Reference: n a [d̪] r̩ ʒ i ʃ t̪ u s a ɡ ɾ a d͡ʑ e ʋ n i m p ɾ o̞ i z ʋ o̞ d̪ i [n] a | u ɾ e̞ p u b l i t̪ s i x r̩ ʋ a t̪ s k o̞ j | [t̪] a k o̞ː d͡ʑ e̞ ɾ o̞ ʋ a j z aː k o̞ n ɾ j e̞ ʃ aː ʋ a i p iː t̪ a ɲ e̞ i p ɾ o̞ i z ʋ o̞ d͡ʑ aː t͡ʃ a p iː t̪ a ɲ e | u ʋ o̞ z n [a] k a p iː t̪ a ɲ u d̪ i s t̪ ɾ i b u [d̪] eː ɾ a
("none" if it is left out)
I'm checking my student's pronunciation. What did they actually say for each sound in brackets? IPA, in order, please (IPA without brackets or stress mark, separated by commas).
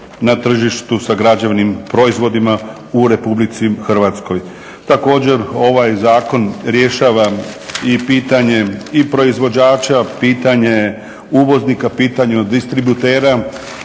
t̪, m, t̪, i, t̪